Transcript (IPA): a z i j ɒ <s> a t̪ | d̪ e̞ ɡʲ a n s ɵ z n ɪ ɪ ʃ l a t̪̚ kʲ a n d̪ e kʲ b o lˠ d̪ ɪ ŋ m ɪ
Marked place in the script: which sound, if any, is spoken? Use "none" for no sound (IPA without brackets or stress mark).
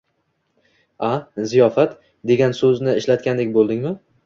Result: f